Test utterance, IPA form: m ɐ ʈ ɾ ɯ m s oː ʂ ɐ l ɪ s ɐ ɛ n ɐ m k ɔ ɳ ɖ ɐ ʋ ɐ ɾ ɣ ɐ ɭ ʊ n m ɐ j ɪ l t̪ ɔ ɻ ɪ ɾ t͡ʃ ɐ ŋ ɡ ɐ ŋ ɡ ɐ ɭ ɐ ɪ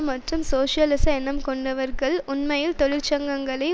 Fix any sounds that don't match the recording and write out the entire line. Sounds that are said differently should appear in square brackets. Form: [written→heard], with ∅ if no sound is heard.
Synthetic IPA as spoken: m ɐ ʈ [ɾ→r] ɯ m s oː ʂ ɐ l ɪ s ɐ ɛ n ɐ m k ɔ ɳ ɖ ɐ ʋ ɐ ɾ ɣ ɐ ɭ ʊ n m ɐ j ɪ l t̪ ɔ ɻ ɪ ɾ t͡ʃ ɐ ŋ ɡ ɐ ŋ ɡ ɐ ɭ ɐ ɪ